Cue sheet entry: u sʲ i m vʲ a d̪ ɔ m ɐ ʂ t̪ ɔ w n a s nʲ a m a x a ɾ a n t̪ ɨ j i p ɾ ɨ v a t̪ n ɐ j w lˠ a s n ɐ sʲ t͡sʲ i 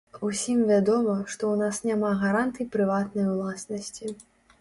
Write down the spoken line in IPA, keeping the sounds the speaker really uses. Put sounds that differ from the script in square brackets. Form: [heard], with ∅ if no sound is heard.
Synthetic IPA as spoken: u sʲ i m vʲ a d̪ ɔ m ɐ ʂ t̪ ɔ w n a s nʲ a m a [ɣ] a ɾ a n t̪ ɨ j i p ɾ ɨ v a t̪ n ɐ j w lˠ a s n ɐ sʲ t͡sʲ i